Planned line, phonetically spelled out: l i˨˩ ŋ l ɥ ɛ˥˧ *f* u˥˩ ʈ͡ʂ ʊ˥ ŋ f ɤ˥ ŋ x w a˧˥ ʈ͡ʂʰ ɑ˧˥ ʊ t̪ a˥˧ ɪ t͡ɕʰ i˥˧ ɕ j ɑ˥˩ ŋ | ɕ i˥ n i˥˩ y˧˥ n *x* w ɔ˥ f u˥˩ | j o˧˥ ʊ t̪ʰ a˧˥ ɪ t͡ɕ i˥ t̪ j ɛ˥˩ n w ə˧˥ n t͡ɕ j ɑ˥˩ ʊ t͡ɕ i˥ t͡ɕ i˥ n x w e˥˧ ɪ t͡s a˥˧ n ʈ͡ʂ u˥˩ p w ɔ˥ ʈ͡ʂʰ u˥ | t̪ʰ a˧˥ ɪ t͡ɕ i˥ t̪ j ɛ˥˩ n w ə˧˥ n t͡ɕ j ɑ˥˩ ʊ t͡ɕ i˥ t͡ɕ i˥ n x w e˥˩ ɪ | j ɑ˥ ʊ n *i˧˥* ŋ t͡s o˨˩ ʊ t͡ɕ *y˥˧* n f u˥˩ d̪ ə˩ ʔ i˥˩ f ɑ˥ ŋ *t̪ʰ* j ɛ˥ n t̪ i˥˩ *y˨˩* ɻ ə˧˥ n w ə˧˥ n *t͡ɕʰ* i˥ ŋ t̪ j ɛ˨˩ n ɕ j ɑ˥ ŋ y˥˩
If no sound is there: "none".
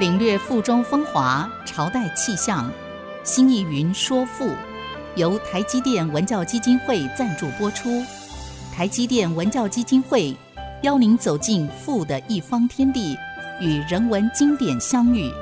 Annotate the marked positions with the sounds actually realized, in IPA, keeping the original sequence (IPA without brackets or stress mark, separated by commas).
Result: f, ʂ, i˧˥, i˥˧, t̪ʰ, y˨˩, t͡ɕ